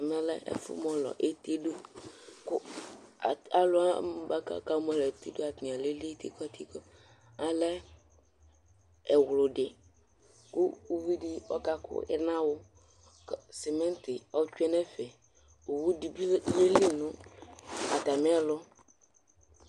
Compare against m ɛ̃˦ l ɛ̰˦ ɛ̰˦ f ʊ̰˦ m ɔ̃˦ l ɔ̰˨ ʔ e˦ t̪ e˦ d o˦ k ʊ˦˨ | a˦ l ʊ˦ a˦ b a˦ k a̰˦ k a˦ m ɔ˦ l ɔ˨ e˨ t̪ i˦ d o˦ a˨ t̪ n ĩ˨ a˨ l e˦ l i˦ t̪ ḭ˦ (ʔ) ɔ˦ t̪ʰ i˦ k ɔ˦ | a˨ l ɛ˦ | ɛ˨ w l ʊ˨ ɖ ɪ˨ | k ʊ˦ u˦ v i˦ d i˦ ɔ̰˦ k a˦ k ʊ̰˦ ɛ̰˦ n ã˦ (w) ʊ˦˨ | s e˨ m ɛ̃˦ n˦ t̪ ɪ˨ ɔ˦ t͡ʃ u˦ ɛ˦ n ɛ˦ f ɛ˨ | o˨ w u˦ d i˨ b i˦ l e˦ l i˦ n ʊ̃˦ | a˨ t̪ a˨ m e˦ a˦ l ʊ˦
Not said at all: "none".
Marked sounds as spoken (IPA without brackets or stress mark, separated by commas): k, w